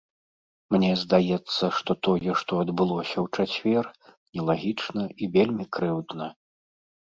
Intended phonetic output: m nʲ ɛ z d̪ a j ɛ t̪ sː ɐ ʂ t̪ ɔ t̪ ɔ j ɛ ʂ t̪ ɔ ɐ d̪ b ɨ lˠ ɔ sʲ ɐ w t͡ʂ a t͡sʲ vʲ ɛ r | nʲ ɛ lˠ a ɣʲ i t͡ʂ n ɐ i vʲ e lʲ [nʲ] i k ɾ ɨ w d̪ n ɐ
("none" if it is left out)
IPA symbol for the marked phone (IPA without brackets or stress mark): mʲ